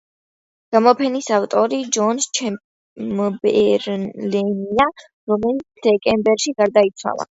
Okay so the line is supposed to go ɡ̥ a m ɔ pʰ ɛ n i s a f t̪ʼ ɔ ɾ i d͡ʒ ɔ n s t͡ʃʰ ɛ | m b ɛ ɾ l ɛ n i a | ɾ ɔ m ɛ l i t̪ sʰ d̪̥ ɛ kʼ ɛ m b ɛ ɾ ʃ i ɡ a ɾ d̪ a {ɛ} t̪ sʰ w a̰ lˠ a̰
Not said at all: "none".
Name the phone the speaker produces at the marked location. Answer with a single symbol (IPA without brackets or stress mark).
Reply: i